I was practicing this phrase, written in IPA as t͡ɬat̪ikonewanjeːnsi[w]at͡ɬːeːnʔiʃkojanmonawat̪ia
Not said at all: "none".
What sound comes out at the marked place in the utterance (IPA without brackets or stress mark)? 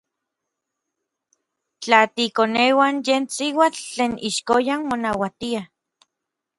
w